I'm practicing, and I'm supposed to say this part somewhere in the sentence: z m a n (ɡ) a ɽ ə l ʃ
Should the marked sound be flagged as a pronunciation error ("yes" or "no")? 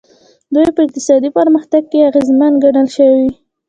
no